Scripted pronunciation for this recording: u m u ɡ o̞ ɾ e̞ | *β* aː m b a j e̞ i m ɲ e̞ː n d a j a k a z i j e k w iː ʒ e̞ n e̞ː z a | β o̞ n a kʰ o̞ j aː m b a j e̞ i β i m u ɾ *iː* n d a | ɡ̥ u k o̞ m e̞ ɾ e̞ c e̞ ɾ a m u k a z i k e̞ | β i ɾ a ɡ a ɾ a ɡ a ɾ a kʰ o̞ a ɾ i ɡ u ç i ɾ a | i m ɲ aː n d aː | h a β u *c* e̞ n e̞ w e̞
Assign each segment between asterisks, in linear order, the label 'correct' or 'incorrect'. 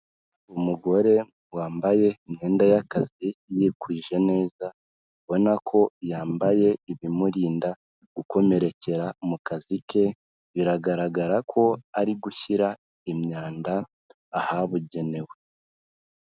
incorrect, correct, incorrect

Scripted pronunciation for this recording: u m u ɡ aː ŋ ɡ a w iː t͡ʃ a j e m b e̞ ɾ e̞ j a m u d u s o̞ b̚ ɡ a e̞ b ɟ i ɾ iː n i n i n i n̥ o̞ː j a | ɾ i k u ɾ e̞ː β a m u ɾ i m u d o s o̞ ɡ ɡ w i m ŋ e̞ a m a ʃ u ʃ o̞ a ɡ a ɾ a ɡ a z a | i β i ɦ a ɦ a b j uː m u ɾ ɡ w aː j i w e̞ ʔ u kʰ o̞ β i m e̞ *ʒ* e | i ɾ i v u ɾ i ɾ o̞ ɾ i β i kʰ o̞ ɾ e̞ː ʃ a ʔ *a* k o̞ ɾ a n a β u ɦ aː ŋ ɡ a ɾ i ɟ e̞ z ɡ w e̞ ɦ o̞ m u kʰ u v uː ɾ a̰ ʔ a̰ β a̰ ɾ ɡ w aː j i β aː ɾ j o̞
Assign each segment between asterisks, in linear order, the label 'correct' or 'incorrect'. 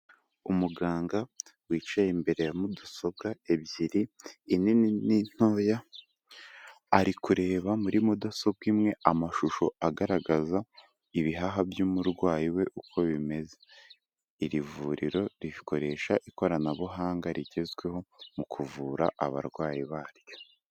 incorrect, incorrect

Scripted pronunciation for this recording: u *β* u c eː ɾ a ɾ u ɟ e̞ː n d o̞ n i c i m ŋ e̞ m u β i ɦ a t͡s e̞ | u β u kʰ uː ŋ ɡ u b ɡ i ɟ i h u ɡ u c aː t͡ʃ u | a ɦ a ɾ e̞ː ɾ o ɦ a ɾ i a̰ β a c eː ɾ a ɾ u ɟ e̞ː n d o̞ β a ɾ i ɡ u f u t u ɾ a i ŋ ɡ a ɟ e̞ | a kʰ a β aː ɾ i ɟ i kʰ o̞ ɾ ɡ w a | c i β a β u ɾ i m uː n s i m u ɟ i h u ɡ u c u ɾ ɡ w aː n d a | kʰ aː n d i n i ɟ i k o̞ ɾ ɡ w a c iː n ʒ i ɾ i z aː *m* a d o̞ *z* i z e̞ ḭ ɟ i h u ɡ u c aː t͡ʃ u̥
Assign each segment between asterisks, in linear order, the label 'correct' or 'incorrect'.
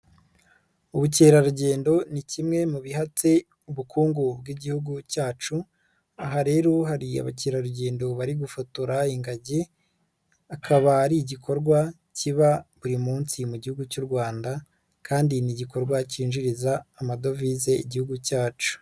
correct, correct, incorrect

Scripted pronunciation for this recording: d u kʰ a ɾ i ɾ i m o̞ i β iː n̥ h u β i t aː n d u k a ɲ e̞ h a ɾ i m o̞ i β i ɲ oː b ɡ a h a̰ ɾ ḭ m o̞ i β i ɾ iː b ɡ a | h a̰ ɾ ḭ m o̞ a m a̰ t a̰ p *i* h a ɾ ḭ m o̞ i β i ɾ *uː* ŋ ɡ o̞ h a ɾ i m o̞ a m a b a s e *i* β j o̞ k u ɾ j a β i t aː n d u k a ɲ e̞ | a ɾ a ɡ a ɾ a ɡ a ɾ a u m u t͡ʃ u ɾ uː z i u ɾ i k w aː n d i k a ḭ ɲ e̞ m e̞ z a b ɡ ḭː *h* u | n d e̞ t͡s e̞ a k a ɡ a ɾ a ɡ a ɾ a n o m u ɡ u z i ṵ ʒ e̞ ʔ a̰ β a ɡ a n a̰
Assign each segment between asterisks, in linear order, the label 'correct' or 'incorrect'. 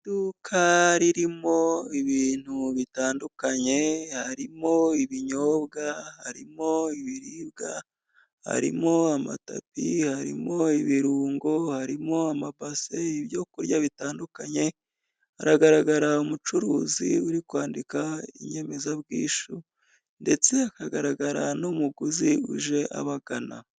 correct, correct, correct, incorrect

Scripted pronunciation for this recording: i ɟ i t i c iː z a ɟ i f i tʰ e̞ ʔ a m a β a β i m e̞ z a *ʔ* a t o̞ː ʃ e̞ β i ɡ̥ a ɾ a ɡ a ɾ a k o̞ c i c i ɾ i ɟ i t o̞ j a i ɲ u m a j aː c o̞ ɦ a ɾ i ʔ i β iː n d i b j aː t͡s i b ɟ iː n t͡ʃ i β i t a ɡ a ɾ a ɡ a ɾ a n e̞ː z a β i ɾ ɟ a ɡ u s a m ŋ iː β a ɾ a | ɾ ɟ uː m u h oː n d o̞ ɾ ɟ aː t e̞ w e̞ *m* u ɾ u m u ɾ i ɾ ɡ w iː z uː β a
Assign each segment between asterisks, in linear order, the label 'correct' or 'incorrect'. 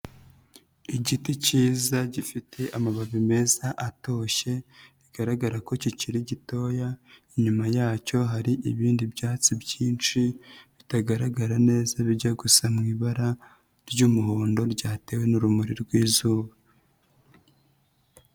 correct, incorrect

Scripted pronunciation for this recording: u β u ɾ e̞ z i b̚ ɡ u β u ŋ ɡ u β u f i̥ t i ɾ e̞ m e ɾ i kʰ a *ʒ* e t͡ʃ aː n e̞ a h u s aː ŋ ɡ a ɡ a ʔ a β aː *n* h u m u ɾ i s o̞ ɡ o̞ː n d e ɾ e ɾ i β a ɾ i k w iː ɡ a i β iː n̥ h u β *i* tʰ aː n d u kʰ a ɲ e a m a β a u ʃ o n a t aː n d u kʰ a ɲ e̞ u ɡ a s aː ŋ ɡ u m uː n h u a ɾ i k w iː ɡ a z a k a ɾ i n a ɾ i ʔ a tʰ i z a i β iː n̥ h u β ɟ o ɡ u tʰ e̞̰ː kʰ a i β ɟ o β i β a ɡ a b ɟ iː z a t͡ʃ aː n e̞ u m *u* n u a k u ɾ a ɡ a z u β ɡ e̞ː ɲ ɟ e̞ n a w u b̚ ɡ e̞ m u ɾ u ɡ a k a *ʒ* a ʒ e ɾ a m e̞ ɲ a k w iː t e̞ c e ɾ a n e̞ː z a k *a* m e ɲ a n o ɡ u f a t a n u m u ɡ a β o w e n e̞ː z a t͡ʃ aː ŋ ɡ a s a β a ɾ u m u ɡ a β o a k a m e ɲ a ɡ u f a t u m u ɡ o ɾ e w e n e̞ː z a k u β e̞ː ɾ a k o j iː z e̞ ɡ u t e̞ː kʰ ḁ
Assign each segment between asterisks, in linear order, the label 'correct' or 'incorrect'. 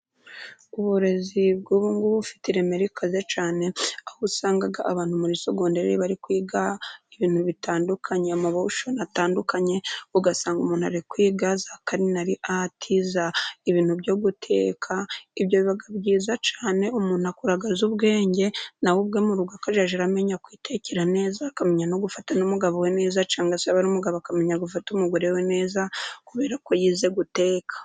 incorrect, correct, correct, incorrect, correct, correct

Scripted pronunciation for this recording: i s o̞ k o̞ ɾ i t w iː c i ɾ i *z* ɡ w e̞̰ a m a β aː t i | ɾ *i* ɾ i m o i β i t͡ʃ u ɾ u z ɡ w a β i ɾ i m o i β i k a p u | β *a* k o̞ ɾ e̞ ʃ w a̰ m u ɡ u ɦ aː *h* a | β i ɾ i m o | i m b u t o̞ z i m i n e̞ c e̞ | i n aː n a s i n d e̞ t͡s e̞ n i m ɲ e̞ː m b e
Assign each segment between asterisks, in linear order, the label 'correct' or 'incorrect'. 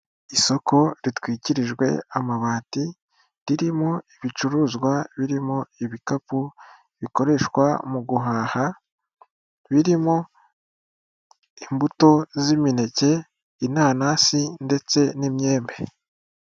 incorrect, correct, incorrect, correct

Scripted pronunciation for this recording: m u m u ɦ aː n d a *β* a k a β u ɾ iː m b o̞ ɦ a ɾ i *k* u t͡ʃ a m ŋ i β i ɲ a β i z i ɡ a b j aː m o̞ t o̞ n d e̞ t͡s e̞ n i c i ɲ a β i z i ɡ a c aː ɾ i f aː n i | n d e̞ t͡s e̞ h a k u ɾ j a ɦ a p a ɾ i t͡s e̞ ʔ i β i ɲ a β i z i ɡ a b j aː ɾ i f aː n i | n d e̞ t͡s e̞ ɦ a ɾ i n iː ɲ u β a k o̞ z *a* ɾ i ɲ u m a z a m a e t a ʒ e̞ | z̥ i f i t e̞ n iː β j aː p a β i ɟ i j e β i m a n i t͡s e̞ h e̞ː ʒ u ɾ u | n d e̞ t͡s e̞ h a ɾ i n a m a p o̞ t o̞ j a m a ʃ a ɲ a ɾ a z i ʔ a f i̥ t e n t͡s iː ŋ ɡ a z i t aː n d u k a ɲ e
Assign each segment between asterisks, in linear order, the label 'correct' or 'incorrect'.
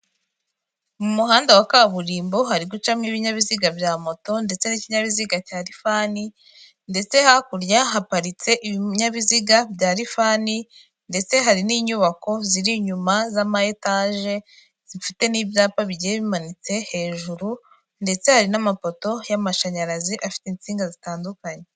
incorrect, incorrect, incorrect

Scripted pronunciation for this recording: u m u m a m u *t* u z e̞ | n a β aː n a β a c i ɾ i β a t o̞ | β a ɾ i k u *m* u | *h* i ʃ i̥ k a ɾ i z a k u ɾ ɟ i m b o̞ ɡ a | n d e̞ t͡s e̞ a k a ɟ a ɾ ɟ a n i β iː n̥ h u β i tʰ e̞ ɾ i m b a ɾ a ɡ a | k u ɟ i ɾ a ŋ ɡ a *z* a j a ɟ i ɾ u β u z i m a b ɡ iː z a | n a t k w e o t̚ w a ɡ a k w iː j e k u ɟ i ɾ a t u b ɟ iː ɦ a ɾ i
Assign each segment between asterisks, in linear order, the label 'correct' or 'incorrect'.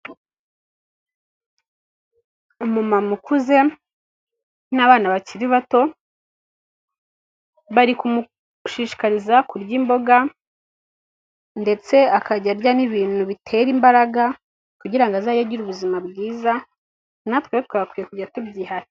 incorrect, correct, incorrect, correct

